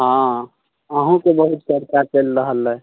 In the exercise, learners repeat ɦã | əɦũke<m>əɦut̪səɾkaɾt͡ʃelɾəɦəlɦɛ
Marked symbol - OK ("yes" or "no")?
no